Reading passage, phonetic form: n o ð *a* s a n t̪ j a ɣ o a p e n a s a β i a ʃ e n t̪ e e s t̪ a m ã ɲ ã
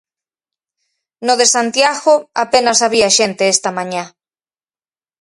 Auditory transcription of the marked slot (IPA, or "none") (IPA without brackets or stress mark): e